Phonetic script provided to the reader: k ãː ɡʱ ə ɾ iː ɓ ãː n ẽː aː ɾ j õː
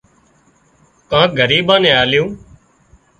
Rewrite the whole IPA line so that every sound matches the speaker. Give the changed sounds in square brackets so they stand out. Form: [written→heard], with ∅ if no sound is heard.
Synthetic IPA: k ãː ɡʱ ə ɾ iː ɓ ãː n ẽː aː [ɾ→l] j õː